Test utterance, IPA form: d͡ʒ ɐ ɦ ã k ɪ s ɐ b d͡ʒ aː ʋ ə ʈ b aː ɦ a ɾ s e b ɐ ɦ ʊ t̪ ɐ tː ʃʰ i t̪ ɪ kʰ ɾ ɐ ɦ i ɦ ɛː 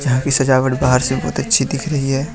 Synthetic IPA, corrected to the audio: d͡ʒ ɐ ɦ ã k i s ɐ d͡ʒ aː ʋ ə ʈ b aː ɦ ə ɾ s e b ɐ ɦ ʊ t̪ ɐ tː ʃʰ i d̪ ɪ kʰ ɾ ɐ ɦ i ɦ ɛː